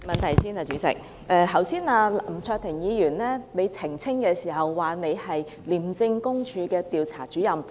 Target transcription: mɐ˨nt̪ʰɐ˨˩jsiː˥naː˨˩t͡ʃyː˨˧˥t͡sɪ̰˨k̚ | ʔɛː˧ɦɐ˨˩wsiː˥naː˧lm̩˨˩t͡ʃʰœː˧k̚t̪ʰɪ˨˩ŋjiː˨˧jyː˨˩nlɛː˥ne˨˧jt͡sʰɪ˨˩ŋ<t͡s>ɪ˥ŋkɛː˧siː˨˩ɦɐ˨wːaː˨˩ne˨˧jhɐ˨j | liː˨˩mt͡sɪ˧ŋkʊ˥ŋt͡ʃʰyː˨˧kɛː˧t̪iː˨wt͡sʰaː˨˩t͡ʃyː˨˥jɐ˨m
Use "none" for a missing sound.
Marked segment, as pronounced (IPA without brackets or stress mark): t͡sʰ